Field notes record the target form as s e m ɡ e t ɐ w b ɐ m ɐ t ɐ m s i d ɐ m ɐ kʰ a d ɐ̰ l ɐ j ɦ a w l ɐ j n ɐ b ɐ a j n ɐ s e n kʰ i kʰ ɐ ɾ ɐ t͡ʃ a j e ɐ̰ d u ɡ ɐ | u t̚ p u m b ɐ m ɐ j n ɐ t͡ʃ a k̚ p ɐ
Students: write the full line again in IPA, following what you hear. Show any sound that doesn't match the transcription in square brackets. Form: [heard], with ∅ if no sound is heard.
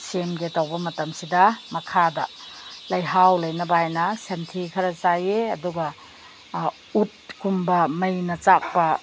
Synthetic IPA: s e m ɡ e t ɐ w b ɐ m ɐ t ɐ m s i d ɐ m ɐ kʰ a d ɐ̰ l ɐ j ɦ a w l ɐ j n ɐ b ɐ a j n ɐ s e n [tʰ] i kʰ ɐ ɾ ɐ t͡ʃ a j e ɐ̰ d u ɡ ɐ | u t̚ [k] u m b ɐ m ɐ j n ɐ t͡ʃ a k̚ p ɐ